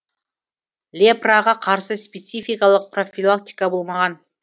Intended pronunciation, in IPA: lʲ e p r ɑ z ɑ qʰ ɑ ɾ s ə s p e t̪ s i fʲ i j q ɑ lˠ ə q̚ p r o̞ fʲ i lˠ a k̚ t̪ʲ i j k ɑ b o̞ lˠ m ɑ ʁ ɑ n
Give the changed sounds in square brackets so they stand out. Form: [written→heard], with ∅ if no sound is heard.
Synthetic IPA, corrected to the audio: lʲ e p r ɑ [z→ʁ] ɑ qʰ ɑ ɾ s ə s p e t̪ s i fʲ i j [q→k] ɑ lˠ ə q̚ p r o̞ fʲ i lˠ a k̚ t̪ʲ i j k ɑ b o̞ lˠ m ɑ ʁ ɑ n